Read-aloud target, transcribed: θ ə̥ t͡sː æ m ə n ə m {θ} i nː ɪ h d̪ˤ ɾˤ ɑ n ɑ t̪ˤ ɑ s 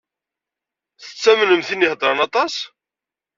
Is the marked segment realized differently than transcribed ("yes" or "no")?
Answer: no